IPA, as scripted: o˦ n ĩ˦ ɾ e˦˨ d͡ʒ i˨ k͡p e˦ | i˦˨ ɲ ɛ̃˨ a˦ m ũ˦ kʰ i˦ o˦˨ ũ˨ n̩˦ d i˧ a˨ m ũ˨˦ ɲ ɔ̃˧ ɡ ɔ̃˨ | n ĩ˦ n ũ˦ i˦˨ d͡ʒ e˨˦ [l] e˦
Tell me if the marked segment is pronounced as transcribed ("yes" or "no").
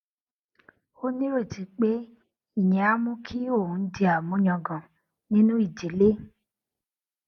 yes